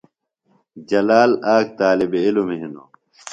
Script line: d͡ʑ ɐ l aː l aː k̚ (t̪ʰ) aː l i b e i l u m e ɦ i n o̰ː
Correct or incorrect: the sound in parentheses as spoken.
incorrect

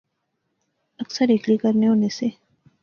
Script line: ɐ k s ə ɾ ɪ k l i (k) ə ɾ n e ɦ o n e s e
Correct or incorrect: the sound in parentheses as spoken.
correct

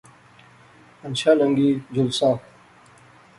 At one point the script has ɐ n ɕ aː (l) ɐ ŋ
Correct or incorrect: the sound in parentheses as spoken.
correct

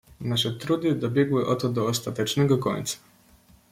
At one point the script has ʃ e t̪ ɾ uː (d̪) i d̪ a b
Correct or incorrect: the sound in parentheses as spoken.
correct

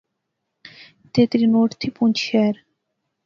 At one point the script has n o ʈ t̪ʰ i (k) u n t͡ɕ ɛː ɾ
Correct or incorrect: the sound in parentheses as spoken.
incorrect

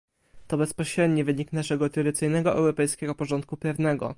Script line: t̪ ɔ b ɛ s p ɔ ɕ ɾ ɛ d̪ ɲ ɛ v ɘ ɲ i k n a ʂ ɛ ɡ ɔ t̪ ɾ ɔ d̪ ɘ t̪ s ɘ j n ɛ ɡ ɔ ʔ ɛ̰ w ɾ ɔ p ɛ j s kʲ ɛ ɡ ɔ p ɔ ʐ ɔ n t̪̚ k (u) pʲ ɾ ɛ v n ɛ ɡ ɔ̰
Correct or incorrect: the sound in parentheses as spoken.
correct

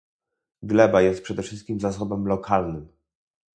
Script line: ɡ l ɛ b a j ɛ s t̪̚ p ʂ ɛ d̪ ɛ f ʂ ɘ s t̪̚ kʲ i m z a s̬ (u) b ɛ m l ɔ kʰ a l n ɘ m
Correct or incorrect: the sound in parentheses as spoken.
incorrect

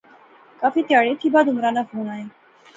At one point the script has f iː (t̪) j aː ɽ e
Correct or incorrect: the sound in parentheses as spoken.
correct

